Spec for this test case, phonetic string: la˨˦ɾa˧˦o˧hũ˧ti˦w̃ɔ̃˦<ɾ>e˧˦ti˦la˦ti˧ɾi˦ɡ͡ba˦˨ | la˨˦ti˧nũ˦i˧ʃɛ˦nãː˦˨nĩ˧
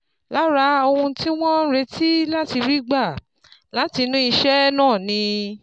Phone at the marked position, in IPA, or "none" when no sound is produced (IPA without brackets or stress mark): ɾ